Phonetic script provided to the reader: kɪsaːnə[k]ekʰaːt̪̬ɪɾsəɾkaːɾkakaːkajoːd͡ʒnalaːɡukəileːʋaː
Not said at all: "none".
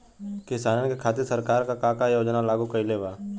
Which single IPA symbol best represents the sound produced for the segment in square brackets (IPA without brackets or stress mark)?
k